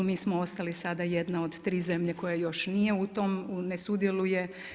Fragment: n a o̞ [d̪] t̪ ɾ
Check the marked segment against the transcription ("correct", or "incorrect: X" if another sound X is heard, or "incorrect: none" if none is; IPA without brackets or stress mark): correct